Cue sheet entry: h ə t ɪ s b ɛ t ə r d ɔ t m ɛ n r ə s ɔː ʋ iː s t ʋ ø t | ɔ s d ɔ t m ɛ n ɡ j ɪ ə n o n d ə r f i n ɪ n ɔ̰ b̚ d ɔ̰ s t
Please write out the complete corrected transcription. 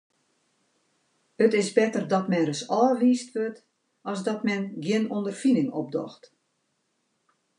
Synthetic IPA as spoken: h ə t ɪ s b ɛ t ə r d ɔ t m ɛ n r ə s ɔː ʋ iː s t ʋ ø t | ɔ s d ɔ t m ɛ n ɡ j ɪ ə n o n d ə r f i n ɪ ŋ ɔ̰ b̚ d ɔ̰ x t